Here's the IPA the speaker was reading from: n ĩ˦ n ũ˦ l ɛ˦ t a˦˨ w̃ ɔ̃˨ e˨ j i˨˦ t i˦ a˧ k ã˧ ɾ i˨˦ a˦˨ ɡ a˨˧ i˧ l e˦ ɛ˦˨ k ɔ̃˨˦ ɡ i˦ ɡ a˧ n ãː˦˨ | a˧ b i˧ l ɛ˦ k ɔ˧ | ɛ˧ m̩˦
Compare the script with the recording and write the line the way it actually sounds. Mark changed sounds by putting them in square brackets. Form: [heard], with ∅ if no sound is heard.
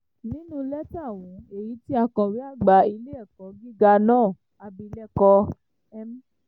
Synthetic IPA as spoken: n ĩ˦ n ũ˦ l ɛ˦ t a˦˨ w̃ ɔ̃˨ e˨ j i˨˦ t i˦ a˧ k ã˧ ɾ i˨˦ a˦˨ [ɡ͡b] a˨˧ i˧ l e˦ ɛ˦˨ k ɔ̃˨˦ ɡ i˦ ɡ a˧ n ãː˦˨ | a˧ b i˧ l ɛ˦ k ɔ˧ | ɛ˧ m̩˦